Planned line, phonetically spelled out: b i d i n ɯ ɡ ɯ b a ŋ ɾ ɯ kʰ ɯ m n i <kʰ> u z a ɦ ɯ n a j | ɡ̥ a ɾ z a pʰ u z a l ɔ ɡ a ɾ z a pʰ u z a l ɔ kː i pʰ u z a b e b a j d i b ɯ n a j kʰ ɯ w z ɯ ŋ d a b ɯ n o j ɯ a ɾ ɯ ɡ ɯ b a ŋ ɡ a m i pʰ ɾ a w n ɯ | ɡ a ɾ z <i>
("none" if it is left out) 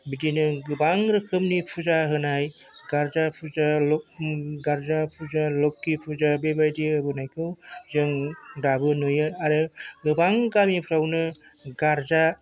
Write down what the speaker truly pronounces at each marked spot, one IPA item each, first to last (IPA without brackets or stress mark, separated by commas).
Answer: pʰ, a